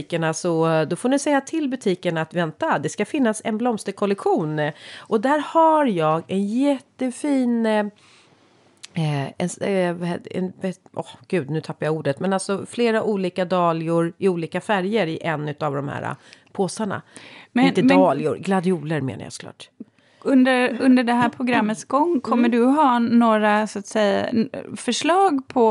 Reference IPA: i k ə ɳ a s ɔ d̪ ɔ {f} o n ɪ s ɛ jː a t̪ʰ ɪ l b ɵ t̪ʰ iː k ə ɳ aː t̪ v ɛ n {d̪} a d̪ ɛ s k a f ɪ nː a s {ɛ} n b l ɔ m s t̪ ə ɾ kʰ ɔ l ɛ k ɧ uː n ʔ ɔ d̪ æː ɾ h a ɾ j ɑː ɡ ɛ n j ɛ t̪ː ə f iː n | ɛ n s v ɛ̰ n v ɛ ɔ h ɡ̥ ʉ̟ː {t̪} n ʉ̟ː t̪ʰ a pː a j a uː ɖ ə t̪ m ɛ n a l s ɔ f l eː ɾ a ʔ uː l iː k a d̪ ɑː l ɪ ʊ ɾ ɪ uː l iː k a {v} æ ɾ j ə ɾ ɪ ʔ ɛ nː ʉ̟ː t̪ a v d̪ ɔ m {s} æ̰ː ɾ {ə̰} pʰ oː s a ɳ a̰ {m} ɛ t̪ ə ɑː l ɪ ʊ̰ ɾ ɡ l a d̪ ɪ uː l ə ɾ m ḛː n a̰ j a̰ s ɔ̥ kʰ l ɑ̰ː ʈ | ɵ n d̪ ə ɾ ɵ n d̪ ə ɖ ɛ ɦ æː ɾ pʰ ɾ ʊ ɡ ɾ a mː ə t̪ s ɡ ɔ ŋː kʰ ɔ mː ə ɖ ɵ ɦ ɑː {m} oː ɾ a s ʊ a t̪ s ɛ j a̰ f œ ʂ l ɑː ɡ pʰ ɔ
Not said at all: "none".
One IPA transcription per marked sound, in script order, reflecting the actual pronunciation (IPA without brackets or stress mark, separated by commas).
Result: f, t̪, ɛ, d̪, f, h, a̰, m, n